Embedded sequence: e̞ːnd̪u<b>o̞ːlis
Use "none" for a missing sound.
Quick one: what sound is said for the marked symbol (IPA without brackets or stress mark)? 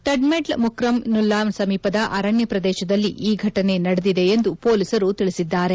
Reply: p